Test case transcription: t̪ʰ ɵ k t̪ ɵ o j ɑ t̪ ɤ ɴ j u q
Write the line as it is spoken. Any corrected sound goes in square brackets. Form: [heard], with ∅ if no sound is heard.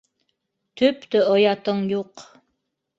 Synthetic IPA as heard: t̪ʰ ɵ [p] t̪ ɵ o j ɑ t̪ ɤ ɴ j u q